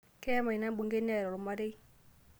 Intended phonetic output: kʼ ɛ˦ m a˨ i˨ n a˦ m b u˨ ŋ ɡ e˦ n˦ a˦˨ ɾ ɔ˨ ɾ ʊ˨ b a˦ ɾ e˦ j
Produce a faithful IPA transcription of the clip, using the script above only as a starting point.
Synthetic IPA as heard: k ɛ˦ m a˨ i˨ n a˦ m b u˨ ŋ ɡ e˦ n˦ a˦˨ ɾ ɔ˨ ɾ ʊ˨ m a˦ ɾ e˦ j